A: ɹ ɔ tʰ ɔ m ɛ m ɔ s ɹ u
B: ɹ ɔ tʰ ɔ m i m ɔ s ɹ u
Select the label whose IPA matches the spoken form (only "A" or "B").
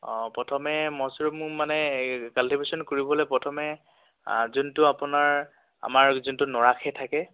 A